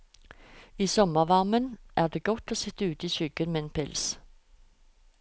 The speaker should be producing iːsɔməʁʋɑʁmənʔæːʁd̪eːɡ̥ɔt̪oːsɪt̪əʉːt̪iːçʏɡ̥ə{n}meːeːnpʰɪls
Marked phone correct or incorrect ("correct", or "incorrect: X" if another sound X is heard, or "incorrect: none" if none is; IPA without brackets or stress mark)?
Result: correct